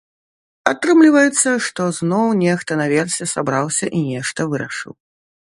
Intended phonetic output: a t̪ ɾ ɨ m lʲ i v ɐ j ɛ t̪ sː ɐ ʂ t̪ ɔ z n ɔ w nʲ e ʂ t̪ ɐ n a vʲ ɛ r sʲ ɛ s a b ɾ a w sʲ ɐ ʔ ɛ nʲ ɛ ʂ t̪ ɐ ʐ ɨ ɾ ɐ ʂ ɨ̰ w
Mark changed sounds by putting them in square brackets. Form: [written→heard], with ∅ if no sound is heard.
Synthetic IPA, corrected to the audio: a t̪ ɾ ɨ m lʲ i v ɐ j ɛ t̪ sː ɐ ʂ t̪ ɔ z n ɔ w nʲ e [ʂ→x] t̪ ɐ n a vʲ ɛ r sʲ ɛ s a b ɾ a w sʲ ɐ ʔ [ɛ→i] nʲ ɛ ʂ t̪ ɐ [ʐ→v] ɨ ɾ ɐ ʂ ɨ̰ w